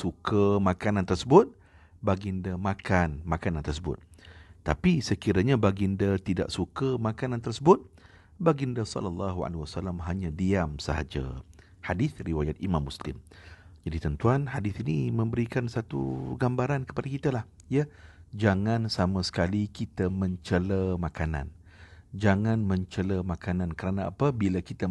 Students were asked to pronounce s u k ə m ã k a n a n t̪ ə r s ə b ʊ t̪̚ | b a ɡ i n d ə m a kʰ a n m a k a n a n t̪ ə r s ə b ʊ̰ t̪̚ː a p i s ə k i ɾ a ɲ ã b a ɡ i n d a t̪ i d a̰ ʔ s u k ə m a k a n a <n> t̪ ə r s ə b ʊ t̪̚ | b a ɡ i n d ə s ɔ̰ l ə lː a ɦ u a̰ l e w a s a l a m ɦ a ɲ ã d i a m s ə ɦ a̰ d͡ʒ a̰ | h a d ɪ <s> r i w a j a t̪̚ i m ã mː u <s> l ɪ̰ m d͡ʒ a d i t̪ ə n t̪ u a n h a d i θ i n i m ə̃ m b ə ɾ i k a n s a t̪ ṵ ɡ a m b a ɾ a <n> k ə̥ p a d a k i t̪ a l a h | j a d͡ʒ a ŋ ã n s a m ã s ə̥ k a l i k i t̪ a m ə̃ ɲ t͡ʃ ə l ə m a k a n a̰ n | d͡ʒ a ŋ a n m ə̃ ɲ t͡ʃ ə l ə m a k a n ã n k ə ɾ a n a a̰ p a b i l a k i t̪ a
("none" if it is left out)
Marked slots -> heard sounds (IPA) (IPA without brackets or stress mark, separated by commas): n, θ, s, n